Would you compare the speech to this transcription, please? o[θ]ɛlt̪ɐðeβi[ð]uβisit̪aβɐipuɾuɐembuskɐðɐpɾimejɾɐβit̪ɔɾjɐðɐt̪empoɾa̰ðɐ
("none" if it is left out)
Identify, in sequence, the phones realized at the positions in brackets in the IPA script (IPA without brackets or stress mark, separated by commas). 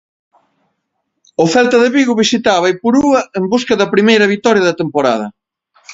f, ɣ